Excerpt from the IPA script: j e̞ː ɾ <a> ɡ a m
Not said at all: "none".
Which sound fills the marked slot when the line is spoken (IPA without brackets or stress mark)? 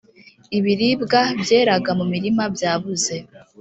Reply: a